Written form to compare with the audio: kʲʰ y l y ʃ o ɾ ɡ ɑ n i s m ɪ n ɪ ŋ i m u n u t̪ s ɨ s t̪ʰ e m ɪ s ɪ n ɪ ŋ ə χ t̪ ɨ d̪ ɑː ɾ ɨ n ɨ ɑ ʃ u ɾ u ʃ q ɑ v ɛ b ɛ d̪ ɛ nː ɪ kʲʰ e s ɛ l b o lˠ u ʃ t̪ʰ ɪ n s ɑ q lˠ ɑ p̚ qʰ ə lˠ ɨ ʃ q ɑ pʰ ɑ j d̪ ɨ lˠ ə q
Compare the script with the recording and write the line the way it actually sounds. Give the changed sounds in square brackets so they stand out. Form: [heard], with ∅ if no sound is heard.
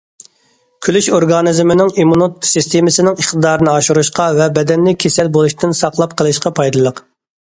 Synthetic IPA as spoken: kʲʰ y l y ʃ o ɾ ɡ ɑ n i [z] m ɪ n ɪ ŋ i m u n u t̪ s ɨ s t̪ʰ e m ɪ s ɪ n ɪ ŋ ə χ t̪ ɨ d̪ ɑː ɾ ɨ n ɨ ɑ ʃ u ɾ u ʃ q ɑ v ɛ b ɛ d̪ ɛ nː ɪ kʲʰ e s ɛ l b o lˠ u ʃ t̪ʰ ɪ n s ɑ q lˠ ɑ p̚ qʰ ə lˠ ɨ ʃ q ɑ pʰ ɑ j d̪ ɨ lˠ ə q